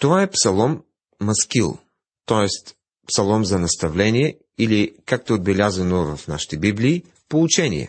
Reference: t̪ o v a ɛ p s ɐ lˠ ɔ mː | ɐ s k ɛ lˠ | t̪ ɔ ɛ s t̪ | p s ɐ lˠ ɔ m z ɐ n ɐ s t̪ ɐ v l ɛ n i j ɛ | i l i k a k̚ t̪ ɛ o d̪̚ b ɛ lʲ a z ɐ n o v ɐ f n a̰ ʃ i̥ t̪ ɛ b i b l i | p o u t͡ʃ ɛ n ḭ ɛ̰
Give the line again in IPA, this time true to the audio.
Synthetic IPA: t̪ o v a ɛ p s ɐ lˠ ɔ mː | ɐ s k i lˠ | t̪ ɔ ɛ s t̪ | p s ɐ lˠ ɔ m z ɐ n ɐ s t̪ ɐ v l ɛ n i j ɛ | i l i k a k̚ t̪ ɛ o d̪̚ b ɛ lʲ a z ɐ n o v ɐ f n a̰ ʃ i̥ t̪ ɛ b i b l iː | p o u t͡ʃ ɛ n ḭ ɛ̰